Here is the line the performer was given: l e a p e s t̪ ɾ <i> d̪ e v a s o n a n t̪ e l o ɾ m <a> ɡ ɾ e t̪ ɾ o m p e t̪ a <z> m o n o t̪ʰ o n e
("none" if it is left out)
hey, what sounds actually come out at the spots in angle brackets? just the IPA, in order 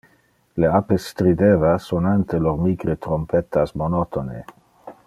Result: i, i, s

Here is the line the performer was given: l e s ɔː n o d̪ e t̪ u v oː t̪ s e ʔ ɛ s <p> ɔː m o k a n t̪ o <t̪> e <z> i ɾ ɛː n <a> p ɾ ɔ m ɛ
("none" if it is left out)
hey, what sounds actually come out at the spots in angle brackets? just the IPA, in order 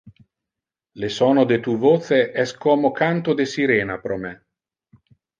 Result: k, d̪, s, a

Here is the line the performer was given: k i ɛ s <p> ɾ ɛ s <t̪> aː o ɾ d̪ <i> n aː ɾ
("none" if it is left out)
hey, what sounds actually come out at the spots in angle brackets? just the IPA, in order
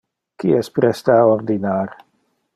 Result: p, t̪, i

